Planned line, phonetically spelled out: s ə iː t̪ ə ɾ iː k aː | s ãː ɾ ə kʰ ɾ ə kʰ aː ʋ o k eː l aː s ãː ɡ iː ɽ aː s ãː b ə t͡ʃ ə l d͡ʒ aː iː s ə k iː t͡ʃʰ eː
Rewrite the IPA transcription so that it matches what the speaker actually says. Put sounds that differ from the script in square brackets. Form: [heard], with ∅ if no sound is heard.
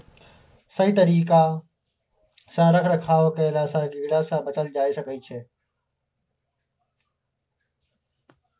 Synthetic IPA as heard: s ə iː t̪ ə ɾ iː k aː | s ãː ɾ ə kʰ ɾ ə kʰ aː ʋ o k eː l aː s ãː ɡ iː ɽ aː s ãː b ə t͡ʃ ə l d͡ʒ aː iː s ə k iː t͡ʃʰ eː

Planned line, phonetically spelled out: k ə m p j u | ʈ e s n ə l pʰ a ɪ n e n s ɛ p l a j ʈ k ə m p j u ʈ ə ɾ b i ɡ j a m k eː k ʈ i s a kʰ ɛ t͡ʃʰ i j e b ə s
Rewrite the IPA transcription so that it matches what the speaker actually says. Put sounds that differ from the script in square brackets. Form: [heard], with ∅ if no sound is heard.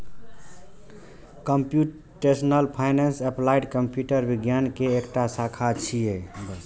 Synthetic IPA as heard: k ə m p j u | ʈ e s n ə l pʰ a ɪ n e n s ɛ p l a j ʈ k ə m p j u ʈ ə ɾ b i ɡ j a [n] k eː k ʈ [a] s a kʰ [a] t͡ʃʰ i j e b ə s

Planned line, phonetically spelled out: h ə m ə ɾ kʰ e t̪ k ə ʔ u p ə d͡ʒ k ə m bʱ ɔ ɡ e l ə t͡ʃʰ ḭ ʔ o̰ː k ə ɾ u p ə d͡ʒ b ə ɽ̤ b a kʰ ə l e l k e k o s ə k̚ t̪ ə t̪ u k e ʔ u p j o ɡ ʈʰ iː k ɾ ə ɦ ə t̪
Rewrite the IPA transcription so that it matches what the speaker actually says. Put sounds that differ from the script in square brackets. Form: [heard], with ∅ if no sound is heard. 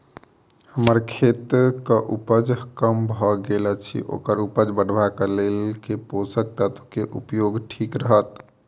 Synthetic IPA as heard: h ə m ə ɾ kʰ e t̪ k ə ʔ u p ə d͡ʒ k ə m bʱ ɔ ɡ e l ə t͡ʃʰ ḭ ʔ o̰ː k ə ɾ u p ə d͡ʒ b ə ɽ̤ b a [k] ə l e l k e [p] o s ə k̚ t̪ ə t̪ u k e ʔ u p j o ɡ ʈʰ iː k ɾ ə ɦ ə t̪

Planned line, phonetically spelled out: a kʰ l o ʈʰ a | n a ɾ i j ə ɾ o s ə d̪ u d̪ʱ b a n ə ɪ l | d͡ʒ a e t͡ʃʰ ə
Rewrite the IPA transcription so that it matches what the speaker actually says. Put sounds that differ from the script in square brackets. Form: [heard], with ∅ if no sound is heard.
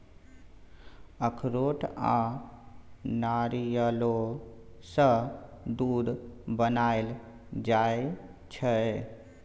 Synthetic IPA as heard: [ə] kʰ [ɾ] o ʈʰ a | n a ɾ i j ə [l] o s ə d̪ u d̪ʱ b [ə] n [a] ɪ l | d͡ʒ a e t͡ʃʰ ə

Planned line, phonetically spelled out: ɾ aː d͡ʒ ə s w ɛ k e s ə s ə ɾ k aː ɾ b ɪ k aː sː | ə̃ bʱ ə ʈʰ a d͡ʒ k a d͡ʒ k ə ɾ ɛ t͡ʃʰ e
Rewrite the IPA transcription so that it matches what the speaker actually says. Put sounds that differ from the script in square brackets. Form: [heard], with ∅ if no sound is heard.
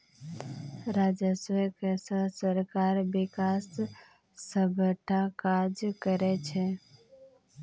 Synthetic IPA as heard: ɾ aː d͡ʒ ə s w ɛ k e s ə s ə ɾ k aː ɾ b ɪ k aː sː | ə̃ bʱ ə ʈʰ a [∅] k a d͡ʒ k ə ɾ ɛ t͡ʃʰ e

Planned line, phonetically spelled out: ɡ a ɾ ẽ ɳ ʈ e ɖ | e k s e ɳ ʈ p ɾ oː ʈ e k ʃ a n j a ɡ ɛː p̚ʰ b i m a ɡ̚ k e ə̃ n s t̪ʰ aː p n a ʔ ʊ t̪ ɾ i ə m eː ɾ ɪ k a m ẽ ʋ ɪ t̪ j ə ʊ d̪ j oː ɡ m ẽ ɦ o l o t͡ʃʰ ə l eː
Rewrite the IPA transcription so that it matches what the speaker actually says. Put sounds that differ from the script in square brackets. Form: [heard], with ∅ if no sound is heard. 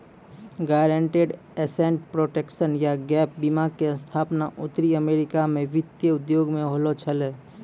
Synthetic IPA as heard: ɡ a ɾ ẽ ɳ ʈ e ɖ | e [∅] s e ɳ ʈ p ɾ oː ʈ e k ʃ [ə] n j a ɡ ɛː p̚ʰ b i m a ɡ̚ k e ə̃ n s t̪ʰ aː p n a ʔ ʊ t̪ ɾ i ə m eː ɾ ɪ k a m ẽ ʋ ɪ t̪ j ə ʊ d̪ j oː ɡ m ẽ ɦ o l o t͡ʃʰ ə l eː

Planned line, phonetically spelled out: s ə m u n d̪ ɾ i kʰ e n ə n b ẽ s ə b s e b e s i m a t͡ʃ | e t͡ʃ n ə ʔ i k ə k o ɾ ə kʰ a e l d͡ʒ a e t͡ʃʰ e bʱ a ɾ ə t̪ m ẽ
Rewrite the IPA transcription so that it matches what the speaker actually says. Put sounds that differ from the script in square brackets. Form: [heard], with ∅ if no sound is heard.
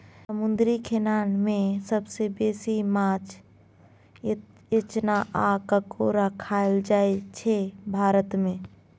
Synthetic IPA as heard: s ə m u n d̪ ɾ i kʰ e n [a] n [m] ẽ s ə b s e b e s i m a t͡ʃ | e t͡ʃ n [a] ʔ [a] k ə k o ɾ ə kʰ a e l d͡ʒ a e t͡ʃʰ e bʱ a ɾ ə t̪ m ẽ

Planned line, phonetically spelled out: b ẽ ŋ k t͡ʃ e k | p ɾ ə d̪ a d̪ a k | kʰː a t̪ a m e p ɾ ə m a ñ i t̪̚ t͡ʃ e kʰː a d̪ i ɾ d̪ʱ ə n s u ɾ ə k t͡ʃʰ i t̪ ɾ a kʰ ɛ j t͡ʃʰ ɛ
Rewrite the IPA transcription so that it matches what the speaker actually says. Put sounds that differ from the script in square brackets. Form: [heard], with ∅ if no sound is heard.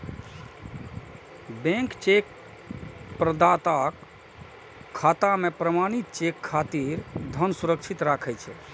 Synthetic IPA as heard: b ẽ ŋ k t͡ʃ e k | p ɾ ə d̪ a [t̪] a k | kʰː a t̪ a m e p ɾ ə m a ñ i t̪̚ t͡ʃ e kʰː a [t̪] i ɾ d̪ʱ ə n s u ɾ ə k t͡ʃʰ i t̪ ɾ a kʰ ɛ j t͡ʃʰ ɛ

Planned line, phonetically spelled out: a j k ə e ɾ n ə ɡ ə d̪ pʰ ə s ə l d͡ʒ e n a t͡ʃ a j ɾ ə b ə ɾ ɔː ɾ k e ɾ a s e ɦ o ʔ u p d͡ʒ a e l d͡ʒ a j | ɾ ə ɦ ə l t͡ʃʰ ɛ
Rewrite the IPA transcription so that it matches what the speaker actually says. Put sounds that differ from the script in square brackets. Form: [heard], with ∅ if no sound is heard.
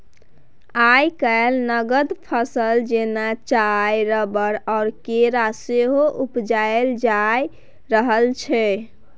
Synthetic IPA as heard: a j k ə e [l] n ə ɡ ə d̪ pʰ ə s ə l d͡ʒ e n a t͡ʃ a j ɾ ə b ə ɾ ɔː ɾ k e ɾ a s e ɦ o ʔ u p d͡ʒ a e l d͡ʒ a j | ɾ ə ɦ ə l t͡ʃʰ ɛ

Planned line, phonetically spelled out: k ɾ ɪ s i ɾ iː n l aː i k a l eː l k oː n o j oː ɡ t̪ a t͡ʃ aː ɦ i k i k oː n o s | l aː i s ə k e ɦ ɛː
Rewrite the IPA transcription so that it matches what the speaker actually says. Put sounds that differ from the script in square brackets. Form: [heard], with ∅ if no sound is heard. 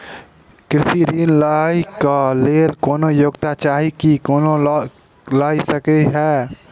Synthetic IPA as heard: k ɾ ɪ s i ɾ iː n l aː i k a l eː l k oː n o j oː ɡ t̪ a t͡ʃ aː ɦ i k i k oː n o [∅] | l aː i s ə k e ɦ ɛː

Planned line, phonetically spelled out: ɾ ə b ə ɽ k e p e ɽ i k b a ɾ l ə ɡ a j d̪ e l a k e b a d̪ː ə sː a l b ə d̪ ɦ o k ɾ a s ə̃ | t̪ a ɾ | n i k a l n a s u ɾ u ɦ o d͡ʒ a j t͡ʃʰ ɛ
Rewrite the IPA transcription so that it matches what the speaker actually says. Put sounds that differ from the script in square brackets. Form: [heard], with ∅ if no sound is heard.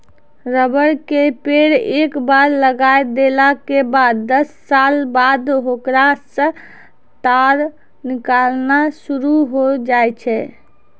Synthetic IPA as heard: ɾ ə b ə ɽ k e p e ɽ [e] k b a ɾ l ə ɡ a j d̪ e l a k e b a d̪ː ə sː a l b [a] d̪ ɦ o k ɾ a s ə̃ | t̪ a ɾ | n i k a l n a s u ɾ u ɦ o d͡ʒ a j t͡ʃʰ ɛ

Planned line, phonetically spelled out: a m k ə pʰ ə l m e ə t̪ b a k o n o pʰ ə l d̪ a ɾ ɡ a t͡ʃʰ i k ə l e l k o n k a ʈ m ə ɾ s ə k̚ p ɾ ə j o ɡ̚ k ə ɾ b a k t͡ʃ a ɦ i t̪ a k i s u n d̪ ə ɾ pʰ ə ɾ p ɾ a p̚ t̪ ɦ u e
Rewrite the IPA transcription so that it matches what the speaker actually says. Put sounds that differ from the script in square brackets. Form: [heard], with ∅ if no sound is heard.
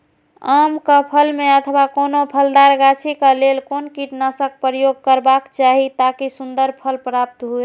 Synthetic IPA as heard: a m k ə pʰ ə l m e ə [t̪ʰ] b a k o n o pʰ ə l d̪ a ɾ ɡ a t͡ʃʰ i k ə l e l k o n k [i] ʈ [n] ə [∅] s ə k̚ p ɾ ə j o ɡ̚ k ə ɾ b a k t͡ʃ a ɦ i t̪ a k i s u n d̪ ə ɾ pʰ ə [l] p ɾ a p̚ t̪ ɦ u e

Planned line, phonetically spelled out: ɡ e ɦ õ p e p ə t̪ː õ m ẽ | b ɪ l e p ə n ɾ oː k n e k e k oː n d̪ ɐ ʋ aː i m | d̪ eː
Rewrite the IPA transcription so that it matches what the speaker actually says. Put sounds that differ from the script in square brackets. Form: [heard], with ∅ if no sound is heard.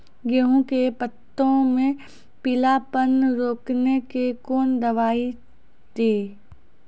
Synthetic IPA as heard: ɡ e ɦ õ [k] e p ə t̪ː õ m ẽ | [p] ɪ l [a] p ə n ɾ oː k n e k e k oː n d̪ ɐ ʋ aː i [∅] | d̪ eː

